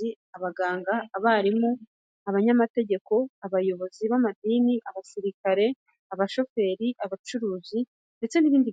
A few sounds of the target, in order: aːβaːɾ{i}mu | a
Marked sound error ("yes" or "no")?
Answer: no